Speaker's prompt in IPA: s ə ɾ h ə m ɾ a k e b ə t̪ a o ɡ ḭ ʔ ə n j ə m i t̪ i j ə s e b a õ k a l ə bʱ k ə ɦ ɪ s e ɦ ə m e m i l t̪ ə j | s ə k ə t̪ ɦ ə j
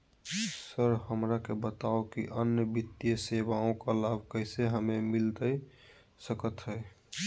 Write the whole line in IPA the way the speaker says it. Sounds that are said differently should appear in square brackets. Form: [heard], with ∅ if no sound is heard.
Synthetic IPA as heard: s ə ɾ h ə m ɾ a k e b ə t̪ a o [k] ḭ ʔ ə n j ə [b] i t̪ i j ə s e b a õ k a l [a] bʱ k ə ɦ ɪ s e ɦ ə m e m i l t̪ ə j | s ə k ə t̪ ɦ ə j